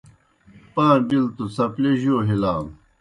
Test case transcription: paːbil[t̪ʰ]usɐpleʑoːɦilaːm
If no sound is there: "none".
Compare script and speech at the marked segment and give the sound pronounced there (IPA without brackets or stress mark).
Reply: t̪